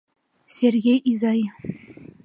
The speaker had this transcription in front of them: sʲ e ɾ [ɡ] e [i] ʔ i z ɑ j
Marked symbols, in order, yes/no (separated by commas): yes, no